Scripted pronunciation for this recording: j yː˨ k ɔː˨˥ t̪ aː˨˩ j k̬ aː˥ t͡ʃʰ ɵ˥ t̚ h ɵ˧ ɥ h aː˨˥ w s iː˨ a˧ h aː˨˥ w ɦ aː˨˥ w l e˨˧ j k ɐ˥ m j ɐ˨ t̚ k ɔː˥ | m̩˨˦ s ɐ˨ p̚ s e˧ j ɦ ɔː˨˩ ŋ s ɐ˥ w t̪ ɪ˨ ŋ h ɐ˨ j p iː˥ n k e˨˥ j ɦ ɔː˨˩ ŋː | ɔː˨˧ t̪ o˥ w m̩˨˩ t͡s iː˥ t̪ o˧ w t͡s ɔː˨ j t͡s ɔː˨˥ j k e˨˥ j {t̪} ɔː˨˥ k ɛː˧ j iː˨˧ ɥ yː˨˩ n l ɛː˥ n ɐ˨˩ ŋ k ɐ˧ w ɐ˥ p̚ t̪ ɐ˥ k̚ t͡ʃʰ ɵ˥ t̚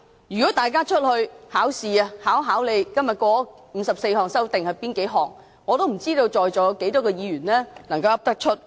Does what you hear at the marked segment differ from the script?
no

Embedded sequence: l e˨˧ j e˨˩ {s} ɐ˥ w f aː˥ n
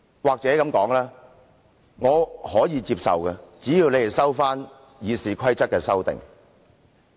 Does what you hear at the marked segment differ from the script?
no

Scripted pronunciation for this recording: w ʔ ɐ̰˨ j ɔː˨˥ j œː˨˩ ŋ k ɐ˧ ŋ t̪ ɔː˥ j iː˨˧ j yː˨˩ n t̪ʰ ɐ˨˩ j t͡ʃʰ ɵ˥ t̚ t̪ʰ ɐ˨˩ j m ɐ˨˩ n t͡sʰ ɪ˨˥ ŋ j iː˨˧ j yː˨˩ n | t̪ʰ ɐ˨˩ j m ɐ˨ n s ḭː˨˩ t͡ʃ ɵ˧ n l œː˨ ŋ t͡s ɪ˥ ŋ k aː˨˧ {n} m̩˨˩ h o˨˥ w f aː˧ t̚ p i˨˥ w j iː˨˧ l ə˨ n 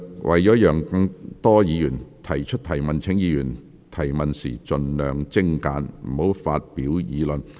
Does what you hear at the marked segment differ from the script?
no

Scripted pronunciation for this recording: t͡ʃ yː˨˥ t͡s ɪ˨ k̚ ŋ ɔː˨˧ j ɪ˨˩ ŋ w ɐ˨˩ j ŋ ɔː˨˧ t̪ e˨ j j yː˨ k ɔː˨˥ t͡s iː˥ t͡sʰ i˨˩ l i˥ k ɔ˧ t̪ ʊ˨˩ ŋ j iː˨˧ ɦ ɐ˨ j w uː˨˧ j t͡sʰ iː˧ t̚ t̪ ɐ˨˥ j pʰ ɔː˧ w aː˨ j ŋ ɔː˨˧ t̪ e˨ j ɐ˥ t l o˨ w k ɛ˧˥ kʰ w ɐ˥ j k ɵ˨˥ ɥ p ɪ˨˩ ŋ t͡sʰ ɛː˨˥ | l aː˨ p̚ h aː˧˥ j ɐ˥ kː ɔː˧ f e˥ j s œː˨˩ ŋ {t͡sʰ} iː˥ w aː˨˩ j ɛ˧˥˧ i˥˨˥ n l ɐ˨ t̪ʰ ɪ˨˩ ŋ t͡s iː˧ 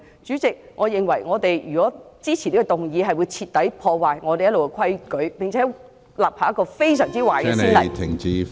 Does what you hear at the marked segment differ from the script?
yes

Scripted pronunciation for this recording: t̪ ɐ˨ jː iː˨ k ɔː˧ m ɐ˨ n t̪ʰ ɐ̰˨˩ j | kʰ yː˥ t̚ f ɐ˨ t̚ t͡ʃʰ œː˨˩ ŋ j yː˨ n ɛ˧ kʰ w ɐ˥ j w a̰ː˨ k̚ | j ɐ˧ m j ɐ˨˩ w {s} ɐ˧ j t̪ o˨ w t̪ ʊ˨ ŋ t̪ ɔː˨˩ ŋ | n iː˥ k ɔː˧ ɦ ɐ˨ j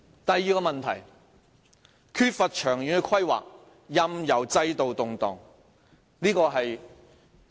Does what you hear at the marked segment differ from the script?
yes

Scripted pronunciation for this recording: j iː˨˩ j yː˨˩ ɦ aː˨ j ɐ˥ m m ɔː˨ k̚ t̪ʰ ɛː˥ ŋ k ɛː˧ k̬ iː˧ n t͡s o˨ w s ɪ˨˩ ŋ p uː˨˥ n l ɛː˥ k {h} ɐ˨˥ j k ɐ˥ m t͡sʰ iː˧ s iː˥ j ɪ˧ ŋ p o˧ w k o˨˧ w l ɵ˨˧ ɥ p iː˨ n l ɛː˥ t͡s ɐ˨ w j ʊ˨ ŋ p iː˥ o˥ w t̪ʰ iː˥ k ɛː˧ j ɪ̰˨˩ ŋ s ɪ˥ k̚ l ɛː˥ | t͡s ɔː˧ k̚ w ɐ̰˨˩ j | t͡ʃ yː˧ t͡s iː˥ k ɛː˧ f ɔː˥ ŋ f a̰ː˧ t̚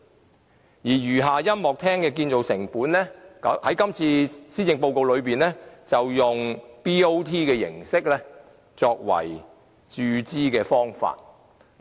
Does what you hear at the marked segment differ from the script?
no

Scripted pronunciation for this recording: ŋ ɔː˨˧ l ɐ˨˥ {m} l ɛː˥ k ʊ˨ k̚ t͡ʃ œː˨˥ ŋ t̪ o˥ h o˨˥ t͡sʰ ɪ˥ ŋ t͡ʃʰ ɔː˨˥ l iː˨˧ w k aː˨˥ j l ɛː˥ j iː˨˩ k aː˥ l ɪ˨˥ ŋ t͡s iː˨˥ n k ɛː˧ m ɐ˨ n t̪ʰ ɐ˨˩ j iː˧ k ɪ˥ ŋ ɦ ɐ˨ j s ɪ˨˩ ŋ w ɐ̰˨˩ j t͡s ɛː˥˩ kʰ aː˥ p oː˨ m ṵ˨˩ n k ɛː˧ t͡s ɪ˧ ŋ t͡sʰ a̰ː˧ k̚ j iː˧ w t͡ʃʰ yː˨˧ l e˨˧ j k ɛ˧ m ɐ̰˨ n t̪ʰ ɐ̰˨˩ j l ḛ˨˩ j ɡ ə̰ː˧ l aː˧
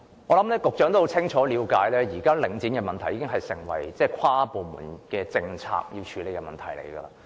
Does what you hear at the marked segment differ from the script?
no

